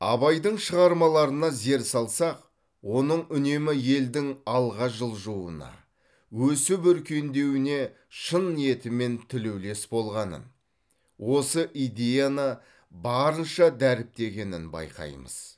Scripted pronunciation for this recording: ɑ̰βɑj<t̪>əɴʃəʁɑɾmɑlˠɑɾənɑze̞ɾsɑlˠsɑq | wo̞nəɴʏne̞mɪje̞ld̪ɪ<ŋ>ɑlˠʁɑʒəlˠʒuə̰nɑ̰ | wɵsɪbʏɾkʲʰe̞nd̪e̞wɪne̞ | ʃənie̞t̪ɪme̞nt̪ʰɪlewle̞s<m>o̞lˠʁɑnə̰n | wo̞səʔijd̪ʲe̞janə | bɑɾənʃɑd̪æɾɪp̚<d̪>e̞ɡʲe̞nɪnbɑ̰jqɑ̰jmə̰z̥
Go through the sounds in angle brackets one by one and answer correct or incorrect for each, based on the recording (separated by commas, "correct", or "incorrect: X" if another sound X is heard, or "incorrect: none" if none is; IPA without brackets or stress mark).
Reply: incorrect: d̪, correct, incorrect: b, incorrect: t̪